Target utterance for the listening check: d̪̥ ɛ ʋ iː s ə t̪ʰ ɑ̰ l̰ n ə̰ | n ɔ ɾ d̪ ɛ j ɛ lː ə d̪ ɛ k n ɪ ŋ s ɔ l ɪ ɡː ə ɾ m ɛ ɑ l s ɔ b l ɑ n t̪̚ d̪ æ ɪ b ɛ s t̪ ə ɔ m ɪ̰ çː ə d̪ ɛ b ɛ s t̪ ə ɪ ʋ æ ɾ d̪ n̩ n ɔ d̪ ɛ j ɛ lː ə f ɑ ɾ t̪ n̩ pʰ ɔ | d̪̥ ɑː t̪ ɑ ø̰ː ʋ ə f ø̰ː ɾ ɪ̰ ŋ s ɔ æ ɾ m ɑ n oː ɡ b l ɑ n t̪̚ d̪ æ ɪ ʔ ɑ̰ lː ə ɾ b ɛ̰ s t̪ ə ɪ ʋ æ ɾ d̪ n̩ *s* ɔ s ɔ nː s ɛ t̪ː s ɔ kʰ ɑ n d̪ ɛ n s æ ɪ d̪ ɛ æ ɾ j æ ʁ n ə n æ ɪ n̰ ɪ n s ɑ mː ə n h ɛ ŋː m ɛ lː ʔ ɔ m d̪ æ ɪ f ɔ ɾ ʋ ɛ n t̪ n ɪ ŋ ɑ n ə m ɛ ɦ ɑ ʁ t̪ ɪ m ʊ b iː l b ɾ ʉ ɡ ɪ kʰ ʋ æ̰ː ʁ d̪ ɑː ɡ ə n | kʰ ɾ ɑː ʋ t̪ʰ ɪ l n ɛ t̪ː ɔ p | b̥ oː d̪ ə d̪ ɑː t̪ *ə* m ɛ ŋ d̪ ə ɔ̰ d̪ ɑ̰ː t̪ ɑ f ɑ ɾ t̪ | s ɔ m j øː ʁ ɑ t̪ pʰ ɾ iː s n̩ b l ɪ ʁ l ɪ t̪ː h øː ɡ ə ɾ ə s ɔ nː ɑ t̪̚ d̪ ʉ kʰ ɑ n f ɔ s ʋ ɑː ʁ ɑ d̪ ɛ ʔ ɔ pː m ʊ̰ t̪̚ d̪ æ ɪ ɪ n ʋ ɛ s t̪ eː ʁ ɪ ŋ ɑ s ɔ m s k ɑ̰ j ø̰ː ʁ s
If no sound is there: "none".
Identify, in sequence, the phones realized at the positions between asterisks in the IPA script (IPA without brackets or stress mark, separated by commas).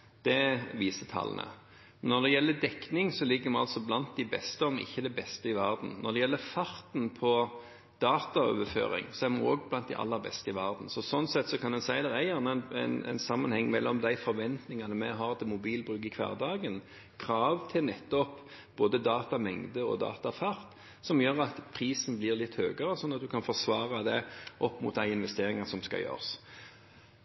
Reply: s, ɑ